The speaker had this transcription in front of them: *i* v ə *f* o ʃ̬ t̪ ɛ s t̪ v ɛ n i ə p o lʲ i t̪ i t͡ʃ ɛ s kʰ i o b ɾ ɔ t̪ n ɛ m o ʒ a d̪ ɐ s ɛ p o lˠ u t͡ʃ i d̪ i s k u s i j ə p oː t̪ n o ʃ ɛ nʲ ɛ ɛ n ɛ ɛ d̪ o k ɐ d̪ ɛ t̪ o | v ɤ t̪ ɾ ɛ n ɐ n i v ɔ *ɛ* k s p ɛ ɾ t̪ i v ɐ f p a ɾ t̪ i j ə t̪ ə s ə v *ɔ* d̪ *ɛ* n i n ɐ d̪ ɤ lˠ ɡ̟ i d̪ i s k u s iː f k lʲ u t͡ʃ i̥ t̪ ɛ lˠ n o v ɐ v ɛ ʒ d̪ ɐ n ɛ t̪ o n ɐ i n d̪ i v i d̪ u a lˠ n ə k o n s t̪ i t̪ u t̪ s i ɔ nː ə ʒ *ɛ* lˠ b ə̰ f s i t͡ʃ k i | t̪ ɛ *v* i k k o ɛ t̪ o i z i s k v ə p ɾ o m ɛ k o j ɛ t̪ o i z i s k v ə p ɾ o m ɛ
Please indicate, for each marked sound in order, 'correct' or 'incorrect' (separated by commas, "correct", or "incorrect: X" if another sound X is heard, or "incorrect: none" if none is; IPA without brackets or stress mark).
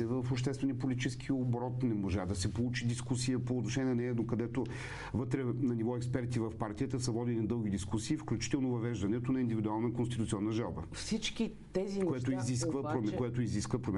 incorrect: ɛ, correct, correct, correct, incorrect: i, incorrect: a, incorrect: z